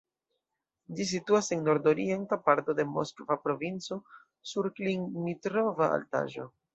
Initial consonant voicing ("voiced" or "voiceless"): voiced